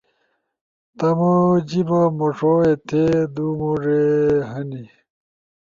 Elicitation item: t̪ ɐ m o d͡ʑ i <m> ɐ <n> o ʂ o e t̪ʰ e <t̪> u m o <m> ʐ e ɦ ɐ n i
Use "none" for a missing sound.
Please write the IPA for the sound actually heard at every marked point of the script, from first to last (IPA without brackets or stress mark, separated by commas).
b, m, d̪, none